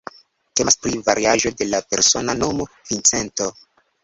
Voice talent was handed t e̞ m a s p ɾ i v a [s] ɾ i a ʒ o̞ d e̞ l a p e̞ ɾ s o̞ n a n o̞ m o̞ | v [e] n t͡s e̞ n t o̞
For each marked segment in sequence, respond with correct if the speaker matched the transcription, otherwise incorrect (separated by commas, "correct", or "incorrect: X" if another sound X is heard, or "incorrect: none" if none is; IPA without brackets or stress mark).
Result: incorrect: none, incorrect: i